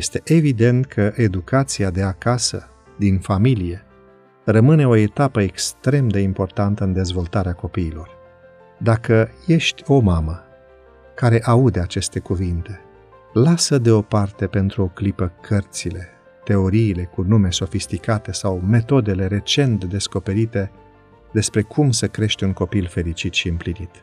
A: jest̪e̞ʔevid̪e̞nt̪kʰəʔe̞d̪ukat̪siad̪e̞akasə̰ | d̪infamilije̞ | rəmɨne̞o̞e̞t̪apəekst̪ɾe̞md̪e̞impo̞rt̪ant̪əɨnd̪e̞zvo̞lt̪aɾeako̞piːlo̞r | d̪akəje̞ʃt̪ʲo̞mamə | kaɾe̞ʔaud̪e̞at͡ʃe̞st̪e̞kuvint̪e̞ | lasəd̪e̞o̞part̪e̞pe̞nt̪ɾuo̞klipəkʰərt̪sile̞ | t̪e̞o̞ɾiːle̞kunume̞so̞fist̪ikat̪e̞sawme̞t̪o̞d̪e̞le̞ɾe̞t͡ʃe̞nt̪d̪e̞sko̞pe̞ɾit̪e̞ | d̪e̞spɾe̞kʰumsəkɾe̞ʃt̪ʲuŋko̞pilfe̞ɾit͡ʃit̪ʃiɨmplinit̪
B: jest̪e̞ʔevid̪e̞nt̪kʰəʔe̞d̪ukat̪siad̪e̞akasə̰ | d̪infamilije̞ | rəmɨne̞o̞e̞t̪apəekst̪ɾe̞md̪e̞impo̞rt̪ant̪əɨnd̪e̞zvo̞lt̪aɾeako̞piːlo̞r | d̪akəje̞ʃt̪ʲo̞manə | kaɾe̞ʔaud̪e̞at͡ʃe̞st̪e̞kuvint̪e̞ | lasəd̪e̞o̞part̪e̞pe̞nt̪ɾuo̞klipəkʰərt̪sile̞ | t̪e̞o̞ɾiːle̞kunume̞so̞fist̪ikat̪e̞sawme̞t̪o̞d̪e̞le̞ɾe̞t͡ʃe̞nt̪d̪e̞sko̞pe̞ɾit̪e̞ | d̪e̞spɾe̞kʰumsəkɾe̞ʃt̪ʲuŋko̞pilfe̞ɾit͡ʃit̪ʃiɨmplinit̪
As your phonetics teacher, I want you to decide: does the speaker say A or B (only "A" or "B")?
A